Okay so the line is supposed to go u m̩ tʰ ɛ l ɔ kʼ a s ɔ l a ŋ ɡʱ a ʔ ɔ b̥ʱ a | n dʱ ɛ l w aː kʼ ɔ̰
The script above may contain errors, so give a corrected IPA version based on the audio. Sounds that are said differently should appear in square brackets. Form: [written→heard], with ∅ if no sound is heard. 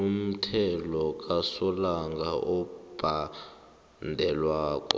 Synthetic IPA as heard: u m̩ tʰ ɛ l ɔ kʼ a s ɔ l a ŋ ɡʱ a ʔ ɔ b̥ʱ a | n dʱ ɛ l w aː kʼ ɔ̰